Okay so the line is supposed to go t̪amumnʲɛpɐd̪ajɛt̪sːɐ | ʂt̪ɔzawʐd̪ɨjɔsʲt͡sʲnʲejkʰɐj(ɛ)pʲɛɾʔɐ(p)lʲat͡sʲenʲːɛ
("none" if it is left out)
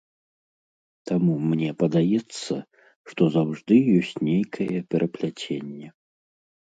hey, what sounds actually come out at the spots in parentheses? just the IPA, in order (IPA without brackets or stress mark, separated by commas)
ɛ, p